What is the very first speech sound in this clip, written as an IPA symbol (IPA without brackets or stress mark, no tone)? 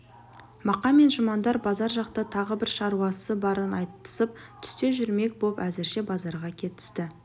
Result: m